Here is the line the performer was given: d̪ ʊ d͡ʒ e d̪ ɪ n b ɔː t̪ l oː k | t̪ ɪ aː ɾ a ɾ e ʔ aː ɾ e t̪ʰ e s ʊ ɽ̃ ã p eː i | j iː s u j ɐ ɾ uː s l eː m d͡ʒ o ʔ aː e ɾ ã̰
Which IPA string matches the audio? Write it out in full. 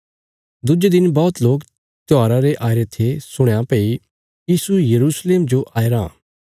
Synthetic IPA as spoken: d̪ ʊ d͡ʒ e d̪ ɪ n b ɔː t̪ l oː k | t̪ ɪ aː ɾ a ɾ e ʔ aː ɾ e t̪ʰ e s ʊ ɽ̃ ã p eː i | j iː s u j ɐ ɾ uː s l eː m d͡ʒ o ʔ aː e ɾ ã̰